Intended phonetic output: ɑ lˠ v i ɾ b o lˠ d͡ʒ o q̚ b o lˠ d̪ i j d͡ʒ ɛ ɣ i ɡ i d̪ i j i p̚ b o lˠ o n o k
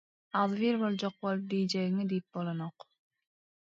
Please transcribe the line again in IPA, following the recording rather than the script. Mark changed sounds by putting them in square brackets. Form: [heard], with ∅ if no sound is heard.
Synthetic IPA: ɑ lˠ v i ɾ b o lˠ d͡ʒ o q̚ b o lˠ d̪ i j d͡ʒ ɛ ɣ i [ŋ] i d̪ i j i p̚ b o lˠ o n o [q]